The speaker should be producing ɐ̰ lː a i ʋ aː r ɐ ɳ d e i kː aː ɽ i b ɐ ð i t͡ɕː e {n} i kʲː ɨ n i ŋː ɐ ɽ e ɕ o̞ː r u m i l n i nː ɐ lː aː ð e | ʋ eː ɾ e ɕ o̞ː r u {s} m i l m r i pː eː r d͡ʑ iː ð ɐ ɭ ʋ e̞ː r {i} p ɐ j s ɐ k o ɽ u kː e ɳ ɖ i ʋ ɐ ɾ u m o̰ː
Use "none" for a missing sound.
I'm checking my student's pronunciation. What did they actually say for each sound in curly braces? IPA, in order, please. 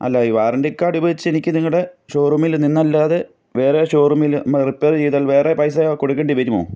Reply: n, none, e

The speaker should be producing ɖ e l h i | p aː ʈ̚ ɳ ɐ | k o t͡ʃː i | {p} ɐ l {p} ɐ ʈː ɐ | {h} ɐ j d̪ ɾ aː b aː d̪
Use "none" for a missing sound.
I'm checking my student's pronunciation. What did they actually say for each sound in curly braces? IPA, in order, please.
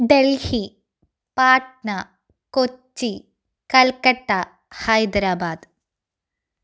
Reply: k, k, h

